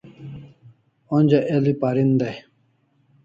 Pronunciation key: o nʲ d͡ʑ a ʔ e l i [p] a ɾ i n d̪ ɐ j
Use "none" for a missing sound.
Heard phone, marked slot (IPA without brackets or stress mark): p